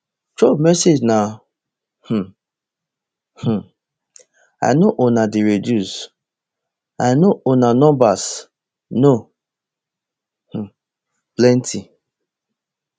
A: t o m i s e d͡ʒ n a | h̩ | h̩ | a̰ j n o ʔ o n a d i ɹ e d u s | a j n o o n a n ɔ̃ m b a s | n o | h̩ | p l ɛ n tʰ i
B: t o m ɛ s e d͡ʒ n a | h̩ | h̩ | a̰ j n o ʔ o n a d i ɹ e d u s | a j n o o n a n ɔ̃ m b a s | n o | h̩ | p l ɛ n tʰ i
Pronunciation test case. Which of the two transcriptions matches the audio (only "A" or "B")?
B